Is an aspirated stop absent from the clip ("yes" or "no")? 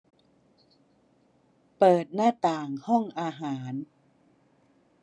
yes